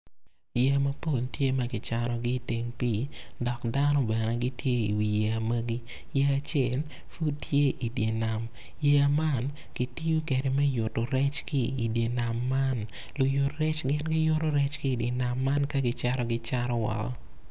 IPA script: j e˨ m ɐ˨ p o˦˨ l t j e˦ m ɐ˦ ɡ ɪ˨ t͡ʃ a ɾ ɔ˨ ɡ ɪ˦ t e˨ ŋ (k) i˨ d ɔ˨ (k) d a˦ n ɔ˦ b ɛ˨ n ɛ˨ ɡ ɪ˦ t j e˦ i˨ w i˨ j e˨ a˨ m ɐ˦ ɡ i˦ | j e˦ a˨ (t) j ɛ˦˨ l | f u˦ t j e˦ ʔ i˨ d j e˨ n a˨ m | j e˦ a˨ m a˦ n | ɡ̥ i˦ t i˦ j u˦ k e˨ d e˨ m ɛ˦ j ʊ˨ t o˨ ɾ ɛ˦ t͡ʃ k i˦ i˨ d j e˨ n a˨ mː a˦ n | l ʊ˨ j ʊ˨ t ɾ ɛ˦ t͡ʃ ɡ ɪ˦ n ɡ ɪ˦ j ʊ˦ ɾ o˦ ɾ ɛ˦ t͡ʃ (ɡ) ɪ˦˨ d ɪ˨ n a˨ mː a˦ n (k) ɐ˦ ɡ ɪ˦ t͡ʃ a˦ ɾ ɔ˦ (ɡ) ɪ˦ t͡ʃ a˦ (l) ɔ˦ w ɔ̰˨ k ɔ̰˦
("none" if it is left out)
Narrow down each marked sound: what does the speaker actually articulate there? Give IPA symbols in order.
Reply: p, k, t͡ʃ, k, k, ɡ, ɾ

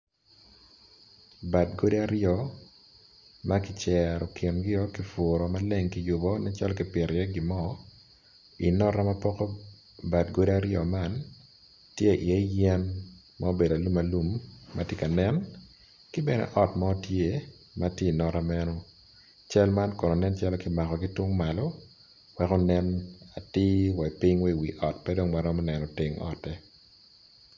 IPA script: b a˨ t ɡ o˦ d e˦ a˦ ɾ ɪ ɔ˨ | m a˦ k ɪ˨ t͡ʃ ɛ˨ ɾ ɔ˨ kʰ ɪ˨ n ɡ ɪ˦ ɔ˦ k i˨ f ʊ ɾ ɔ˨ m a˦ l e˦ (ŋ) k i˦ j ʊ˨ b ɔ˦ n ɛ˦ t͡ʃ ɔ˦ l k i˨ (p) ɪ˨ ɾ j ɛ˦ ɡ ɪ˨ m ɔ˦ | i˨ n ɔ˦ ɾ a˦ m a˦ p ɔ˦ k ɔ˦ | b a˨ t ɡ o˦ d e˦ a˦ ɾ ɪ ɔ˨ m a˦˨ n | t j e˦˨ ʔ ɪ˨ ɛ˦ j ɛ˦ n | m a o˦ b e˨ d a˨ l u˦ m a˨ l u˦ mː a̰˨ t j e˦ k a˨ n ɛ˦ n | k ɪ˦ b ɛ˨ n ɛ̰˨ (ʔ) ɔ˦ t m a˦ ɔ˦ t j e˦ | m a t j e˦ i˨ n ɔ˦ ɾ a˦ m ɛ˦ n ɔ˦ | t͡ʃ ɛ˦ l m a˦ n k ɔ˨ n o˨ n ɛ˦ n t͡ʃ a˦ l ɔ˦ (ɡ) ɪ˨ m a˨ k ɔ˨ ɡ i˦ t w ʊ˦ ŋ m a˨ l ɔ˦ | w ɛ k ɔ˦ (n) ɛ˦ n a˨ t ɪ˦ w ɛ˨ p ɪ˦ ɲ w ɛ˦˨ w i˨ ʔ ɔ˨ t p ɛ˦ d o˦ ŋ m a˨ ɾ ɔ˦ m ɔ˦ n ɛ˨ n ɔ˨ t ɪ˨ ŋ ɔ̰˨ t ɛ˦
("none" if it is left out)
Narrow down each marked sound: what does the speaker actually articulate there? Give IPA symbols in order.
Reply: ŋ, p, ʔ, k, n

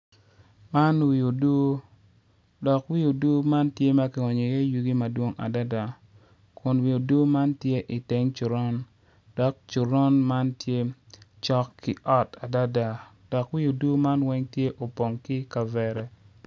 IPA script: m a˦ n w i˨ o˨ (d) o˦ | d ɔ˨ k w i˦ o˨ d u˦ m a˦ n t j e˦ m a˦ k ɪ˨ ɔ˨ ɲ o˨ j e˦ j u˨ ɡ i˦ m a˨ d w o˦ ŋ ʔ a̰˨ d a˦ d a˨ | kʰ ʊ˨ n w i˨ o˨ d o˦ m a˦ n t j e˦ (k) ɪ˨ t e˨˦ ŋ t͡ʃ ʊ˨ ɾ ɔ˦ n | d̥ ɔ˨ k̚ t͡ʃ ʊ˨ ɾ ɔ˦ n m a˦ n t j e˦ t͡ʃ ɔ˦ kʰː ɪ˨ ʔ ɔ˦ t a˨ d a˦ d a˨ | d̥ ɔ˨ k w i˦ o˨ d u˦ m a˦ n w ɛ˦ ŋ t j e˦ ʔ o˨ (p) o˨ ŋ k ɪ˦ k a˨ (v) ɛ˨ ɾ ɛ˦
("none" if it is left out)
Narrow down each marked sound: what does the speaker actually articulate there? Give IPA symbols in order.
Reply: d, ʔ, p, v

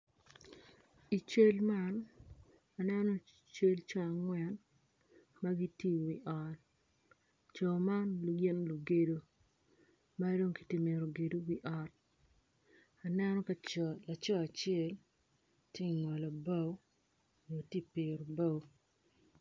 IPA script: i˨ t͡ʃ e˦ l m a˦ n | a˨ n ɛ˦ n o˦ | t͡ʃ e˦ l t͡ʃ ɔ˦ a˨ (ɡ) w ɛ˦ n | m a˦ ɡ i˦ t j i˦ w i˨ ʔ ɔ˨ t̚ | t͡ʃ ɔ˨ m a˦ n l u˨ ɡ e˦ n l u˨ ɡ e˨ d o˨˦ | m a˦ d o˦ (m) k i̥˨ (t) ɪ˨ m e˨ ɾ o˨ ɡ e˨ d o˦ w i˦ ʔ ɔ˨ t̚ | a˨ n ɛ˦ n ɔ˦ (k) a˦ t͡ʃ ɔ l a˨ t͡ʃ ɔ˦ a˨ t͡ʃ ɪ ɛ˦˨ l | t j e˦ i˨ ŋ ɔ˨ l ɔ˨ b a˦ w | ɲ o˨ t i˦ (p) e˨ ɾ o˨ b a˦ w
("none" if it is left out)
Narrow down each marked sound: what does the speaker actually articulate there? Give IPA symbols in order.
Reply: ŋ, ŋ, t, k, p

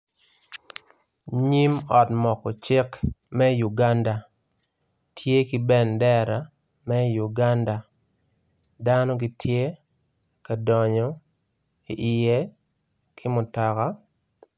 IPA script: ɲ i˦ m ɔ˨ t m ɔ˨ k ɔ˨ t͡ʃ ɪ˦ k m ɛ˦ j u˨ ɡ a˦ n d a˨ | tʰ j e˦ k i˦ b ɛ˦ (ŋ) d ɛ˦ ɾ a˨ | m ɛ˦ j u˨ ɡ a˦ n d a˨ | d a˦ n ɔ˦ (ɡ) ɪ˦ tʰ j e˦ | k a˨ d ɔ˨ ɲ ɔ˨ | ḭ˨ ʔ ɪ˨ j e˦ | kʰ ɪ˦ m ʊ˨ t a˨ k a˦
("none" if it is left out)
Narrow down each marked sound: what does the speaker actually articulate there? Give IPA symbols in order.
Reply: n, ɡ

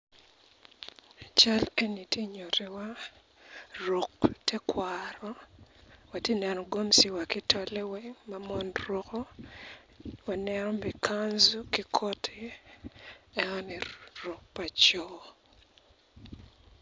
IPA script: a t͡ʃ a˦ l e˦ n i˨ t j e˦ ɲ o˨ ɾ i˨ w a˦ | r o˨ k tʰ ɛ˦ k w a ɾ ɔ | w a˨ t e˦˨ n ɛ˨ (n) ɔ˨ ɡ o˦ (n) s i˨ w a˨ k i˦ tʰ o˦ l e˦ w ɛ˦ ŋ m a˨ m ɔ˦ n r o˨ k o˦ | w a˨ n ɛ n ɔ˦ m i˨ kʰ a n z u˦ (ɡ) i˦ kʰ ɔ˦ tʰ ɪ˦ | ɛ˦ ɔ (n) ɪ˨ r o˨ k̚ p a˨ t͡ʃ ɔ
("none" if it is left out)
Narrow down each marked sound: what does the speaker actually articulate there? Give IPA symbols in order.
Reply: n, m, k, n

